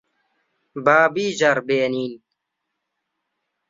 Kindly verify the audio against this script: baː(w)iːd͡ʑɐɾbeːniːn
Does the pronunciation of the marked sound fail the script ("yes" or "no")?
yes